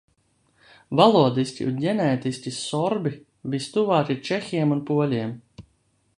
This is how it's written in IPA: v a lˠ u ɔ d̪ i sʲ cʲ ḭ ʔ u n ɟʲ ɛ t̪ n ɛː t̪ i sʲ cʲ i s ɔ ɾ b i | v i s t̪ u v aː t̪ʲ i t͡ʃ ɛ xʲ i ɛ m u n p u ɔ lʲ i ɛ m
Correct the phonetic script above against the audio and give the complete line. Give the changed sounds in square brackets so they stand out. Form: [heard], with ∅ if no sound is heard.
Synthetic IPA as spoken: v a lˠ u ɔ d̪ i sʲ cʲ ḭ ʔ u n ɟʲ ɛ [∅] n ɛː t̪ i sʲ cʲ i s ɔ ɾ b i | v i s t̪ u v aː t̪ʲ i t͡ʃ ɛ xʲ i ɛ m u n p u ɔ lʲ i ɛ m

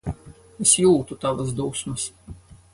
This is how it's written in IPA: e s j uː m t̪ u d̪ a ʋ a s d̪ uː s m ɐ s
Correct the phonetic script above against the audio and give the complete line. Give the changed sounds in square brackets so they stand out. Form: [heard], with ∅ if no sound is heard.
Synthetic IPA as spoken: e s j uː [∅] t̪ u [t̪] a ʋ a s d̪ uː s m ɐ s

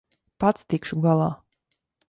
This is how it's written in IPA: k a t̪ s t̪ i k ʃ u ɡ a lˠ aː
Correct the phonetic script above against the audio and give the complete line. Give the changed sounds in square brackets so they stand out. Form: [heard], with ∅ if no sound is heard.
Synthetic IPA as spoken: [p] a t̪ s t̪ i k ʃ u ɡ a lˠ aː

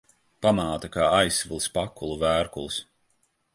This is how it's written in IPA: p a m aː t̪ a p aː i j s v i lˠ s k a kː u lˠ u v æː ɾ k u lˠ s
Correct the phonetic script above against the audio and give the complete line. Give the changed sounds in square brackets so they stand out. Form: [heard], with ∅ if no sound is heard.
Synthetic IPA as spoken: p a m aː t̪ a [k] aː [a] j s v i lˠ s [p] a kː u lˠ u v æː ɾ k u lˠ s

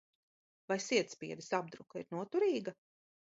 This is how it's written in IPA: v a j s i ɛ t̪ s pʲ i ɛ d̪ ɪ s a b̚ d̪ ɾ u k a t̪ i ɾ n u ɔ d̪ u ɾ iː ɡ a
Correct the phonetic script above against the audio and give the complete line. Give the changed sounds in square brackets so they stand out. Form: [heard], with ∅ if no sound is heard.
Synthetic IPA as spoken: v a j s i ɛ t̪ s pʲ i ɛ d̪ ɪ s a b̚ d̪ ɾ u k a [∅] i ɾ n u ɔ [t̪] u ɾ iː ɡ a

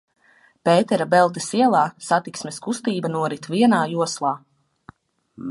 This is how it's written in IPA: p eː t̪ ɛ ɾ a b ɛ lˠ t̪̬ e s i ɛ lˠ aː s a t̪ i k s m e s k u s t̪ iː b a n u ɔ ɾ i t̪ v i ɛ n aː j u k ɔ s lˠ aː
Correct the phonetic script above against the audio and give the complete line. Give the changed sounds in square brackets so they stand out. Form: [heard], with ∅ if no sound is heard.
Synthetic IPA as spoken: p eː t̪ ɛ ɾ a b ɛ lˠ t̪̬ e s i ɛ lˠ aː s a t̪ i k s m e s k u s t̪ iː b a n u ɔ ɾ i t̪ v i ɛ n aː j u [∅] ɔ s lˠ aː

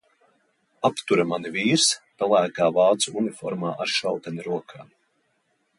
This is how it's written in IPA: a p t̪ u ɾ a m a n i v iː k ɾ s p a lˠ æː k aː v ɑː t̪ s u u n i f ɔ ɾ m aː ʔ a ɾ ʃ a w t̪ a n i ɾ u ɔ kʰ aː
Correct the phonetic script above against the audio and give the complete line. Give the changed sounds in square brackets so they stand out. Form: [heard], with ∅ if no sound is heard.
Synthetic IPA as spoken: a p t̪ u ɾ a m a n i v iː [∅] ɾ s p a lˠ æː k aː v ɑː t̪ s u u n i f ɔ ɾ m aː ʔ a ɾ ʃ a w t̪ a n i ɾ u ɔ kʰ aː

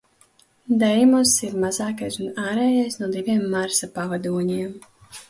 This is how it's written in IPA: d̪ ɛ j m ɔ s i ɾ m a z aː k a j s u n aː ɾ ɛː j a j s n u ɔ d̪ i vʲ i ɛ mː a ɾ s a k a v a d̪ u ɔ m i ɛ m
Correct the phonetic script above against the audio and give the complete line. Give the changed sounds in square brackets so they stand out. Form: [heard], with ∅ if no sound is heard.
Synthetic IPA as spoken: d̪ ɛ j m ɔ s i ɾ m a z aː k a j s u n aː ɾ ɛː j a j s n u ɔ d̪ i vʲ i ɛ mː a ɾ s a [p] a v a d̪ u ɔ [ɲ] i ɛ m

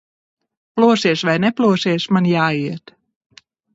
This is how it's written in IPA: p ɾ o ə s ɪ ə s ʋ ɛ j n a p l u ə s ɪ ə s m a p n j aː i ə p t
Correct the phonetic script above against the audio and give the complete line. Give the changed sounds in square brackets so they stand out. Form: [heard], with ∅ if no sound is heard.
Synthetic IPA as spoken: p [l] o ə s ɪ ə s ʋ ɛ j n [ɛ] p l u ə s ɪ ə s m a [∅] n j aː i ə [∅] t

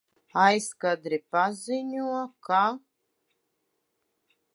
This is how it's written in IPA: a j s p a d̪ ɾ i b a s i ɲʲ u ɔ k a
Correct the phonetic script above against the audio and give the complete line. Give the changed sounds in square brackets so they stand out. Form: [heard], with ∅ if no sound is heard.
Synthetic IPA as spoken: a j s [k] a d̪ ɾ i [p] a [z] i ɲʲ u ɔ k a

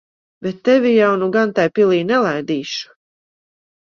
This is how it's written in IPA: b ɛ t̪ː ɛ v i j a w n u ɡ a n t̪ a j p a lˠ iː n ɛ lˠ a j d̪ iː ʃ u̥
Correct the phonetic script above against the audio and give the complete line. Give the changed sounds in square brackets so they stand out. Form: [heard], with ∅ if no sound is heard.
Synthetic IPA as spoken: b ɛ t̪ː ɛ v i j a w n u ɡ a n t̪ a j p [i] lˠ iː n ɛ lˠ a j d̪ iː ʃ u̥

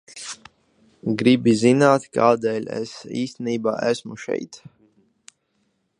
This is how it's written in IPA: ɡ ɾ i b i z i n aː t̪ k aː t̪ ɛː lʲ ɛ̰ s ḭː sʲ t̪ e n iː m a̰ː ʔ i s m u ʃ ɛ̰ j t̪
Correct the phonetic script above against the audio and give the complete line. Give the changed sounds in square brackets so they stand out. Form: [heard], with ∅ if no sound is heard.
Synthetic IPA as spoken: ɡ ɾ i b i z i n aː t̪ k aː [d̪] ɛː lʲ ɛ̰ s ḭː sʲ t̪ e n iː [b] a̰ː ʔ [æ] s m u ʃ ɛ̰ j t̪

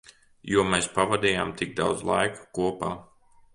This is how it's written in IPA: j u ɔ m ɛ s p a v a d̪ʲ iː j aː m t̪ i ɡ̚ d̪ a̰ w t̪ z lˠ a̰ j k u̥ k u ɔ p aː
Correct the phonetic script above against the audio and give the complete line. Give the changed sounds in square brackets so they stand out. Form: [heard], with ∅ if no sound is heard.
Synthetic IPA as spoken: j u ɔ m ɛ s p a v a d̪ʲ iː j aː m t̪ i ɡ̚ d̪ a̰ w [d̪] z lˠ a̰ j k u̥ k u ɔ p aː

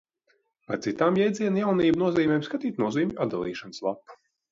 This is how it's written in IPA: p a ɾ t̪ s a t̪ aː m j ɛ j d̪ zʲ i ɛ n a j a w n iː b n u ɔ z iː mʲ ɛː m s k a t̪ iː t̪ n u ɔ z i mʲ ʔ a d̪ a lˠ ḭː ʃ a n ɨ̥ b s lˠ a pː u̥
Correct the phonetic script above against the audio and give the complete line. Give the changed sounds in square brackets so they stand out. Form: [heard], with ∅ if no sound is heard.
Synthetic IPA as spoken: p a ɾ t̪ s [i] t̪ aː m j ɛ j d̪ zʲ i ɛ n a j a w n iː b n u ɔ z iː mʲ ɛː m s k a t̪ iː t̪ n u ɔ z [iː] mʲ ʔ a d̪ a lˠ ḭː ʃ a n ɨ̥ [∅] s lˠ a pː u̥

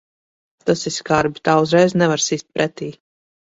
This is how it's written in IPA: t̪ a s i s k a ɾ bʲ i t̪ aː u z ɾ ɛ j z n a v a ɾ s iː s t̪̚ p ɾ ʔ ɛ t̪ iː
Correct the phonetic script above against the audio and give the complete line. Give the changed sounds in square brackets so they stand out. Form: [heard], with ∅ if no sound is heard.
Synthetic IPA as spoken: t̪ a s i s k a ɾ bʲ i t̪ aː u z ɾ ɛ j z n [ɛ] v a ɾ s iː s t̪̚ p ɾ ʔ ɛ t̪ iː

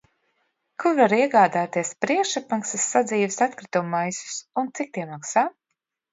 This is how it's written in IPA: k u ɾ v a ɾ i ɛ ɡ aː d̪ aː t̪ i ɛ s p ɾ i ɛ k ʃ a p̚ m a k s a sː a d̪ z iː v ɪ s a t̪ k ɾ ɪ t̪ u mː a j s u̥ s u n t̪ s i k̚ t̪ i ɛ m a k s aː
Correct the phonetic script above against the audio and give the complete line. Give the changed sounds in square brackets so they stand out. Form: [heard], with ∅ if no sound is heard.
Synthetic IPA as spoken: k u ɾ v a ɾ i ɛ ɡ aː d̪ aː t̪ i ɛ s p ɾ i ɛ k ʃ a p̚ m a k s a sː a d̪ z iː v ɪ s a t̪ k ɾ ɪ t̪ u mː a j s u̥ s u n t̪ s i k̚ t̪ i ɛ m a k s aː

